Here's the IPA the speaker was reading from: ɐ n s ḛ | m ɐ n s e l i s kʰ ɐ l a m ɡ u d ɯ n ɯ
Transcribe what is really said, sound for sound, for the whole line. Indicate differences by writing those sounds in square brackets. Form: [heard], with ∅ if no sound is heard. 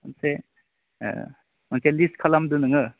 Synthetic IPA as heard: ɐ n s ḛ | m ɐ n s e l i s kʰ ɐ l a m [d] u [n] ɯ [ŋ] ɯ